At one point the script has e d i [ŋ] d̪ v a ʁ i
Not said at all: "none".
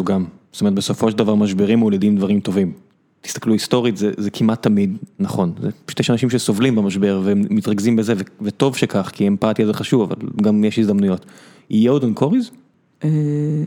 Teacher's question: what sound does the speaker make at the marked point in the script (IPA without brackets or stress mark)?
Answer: m